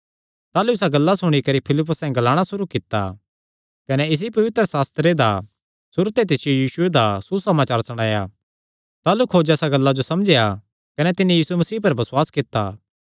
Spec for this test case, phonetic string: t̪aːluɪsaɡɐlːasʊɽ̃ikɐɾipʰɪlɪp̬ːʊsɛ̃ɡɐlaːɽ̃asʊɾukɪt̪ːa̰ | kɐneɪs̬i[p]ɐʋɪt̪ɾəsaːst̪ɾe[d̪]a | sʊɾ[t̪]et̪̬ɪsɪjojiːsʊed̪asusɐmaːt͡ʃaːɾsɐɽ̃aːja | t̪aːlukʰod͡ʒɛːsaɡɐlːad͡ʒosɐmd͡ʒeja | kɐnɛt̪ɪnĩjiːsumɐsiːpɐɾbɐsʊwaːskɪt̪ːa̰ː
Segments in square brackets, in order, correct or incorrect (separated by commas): correct, correct, correct